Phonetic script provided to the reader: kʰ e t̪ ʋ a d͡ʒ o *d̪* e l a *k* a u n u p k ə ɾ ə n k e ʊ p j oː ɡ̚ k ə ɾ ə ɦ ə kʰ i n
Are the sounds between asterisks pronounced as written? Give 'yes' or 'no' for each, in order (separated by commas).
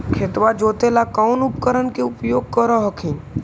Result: no, yes